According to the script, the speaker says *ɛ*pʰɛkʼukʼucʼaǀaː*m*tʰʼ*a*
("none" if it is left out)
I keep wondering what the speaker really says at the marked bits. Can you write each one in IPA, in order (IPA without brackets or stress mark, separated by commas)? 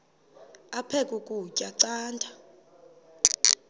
a, n, a